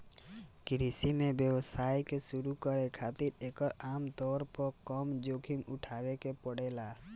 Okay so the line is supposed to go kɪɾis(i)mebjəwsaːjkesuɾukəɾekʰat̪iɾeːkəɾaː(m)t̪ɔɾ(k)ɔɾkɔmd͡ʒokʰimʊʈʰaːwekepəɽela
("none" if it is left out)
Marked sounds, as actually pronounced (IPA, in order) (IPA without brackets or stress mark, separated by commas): i, m, p